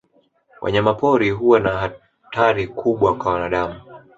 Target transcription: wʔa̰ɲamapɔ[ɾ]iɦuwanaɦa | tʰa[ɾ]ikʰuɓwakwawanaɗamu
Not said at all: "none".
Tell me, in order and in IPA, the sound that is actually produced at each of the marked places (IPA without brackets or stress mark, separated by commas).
ɾ, ɾ